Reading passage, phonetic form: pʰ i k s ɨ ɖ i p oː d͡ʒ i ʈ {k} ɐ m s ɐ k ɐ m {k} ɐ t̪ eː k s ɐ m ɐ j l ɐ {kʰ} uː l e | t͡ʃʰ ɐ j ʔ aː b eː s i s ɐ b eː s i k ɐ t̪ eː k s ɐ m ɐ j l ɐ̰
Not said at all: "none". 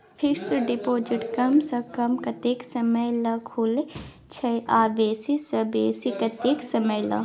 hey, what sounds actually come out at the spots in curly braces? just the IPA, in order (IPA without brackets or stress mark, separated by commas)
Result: k, k, kʰ